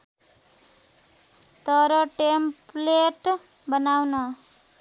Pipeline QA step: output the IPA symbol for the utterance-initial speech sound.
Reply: t̪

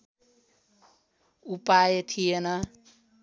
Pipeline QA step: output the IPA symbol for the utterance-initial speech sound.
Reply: u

